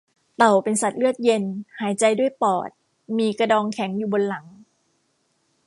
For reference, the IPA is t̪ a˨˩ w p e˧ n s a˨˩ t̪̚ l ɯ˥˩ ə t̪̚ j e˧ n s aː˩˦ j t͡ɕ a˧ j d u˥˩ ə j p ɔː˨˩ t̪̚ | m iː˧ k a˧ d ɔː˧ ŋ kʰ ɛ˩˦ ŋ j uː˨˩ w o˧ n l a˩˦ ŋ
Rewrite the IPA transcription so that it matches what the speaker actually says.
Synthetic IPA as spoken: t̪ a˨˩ w p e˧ n s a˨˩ t̪̚ l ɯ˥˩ ə t̪̚ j e˧ n h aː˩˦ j t͡ɕ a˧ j d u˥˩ ə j p ɔː˨˩ t̪̚ | m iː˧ k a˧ d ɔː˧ ŋ kʰ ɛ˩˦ ŋ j uː˨˩ b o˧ n l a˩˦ ŋ